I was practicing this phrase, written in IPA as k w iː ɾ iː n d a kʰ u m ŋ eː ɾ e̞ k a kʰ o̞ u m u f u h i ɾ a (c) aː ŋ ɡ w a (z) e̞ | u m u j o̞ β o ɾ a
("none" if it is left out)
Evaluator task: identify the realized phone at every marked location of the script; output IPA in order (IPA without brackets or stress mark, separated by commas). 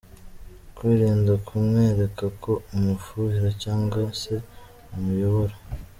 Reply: c, s